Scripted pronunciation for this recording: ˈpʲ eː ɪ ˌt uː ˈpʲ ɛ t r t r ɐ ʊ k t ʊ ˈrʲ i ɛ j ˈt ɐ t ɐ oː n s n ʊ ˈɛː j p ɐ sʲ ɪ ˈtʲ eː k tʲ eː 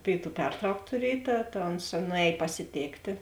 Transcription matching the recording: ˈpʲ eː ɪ ˌt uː ˈpʲ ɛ r t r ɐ ʊ k t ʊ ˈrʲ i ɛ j ˈt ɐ t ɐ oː n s n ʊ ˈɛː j p ɐ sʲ ɪ ˈtʲ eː k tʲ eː